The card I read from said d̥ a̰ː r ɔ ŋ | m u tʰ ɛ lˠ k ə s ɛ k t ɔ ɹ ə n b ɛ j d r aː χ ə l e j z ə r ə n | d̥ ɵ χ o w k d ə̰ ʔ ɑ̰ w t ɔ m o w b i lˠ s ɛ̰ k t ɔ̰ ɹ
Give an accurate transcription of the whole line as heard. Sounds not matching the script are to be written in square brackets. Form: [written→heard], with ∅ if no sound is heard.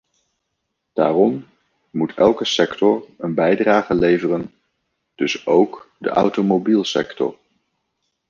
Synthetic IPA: d̥ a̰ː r ɔ [ŋ→m] | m u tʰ ɛ lˠ k ə s ɛ k t ɔ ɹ ə n b ɛ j d r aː χ ə l e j [z→v] ə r ə n | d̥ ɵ [χ→s] o w k d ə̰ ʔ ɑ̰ w t [ɔ→o] m o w b i lˠ s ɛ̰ k t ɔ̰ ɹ